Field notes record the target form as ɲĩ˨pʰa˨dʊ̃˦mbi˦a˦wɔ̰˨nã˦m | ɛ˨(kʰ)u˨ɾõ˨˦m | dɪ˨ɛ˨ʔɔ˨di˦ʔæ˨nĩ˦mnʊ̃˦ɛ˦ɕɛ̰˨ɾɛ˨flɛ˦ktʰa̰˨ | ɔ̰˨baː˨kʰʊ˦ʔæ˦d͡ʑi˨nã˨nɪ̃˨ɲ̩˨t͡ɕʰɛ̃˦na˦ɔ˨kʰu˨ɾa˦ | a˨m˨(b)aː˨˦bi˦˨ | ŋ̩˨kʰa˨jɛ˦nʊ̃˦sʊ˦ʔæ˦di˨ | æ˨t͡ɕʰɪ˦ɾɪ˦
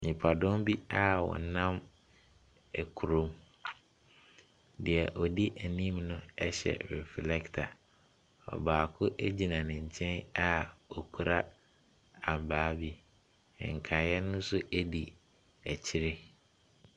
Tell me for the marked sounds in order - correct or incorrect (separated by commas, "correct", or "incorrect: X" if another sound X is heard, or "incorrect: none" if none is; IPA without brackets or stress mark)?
correct, correct